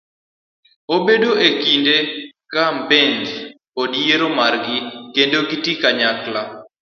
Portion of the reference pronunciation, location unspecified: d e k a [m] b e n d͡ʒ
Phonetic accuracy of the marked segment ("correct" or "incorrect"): correct